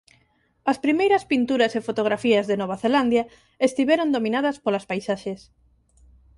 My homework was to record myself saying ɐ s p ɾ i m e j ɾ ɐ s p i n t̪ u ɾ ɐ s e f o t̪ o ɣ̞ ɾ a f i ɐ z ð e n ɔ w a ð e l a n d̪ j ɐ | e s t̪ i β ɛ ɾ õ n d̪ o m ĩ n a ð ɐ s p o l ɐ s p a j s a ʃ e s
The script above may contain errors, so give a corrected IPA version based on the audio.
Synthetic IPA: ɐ s p ɾ i m e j ɾ ɐ s p i n t̪ u ɾ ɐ s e f o t̪ o ɣ̞ ɾ a f i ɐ z ð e n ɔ β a θ e l a n d̪ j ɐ | e s t̪ i β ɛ ɾ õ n d̪ o m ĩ n a ð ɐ s p o l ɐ s p a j s a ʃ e s